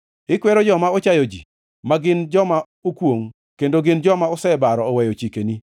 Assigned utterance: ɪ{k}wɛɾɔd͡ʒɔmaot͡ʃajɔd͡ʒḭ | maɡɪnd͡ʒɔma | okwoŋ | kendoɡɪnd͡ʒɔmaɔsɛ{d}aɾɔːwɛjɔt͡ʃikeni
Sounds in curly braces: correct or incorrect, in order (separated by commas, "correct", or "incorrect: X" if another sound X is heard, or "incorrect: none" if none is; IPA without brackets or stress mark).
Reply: correct, incorrect: b